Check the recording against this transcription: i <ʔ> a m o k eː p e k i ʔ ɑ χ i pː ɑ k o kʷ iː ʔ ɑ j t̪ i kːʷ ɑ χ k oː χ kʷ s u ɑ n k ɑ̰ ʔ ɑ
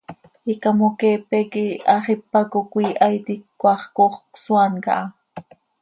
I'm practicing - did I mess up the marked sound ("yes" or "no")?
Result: yes